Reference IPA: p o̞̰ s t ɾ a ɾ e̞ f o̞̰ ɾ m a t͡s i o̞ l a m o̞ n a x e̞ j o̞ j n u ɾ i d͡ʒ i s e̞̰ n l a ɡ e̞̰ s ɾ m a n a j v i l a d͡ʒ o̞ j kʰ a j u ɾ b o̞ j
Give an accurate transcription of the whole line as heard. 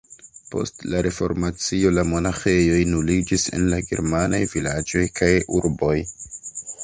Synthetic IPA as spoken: p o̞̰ s t l a ɾ e̞ f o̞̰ ɾ m a t͡s i o̞ l a m o̞ n a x e̞ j o̞ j n u l i d͡ʒ i s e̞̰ n l a ɡ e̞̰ ɾ m a n a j v i l a d͡ʒ o̞ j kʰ a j u ɾ b o̞ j